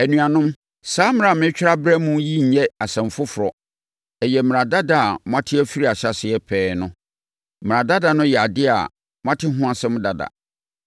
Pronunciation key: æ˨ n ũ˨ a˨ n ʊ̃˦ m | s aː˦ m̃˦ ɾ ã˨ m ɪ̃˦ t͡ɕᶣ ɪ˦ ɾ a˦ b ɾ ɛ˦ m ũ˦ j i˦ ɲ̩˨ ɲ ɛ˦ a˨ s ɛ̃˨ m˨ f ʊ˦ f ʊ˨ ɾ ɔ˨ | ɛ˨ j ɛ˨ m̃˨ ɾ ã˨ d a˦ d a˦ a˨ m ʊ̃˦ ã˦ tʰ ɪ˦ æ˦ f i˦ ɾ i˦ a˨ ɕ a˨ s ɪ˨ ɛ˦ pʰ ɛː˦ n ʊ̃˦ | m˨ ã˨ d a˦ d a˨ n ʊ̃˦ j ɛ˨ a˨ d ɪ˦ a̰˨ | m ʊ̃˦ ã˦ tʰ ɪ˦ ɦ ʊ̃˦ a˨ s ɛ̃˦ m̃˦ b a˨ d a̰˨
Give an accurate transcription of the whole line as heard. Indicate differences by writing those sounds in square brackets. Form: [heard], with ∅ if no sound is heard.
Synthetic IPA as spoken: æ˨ n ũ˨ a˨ n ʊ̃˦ m | s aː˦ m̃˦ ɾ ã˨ m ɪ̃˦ t͡ɕᶣ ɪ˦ ɾ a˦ b ɾ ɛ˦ m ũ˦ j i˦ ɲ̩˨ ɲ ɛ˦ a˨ s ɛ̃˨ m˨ f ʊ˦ f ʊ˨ ɾ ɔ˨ | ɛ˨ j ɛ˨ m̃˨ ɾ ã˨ d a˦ d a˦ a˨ m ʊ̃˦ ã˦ tʰ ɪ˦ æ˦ f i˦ ɾ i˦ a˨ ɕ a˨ s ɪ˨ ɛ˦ pʰ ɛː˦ n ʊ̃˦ | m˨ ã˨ d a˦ d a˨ n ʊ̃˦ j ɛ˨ a˨ d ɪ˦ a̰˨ | m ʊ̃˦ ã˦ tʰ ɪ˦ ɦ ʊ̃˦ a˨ s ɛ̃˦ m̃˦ [d] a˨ d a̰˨